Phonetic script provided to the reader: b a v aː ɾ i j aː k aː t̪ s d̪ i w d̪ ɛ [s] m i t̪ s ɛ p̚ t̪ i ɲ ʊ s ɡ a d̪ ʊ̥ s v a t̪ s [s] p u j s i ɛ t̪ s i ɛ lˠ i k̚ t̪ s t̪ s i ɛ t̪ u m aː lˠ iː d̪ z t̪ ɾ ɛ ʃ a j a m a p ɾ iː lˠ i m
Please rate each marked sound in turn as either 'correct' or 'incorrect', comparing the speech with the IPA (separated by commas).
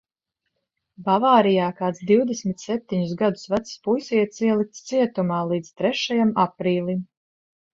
correct, correct